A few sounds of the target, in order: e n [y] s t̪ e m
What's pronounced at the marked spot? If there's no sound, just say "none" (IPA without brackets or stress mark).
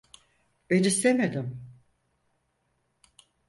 i